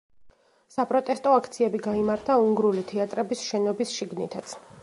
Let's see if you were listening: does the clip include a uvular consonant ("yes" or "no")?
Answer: no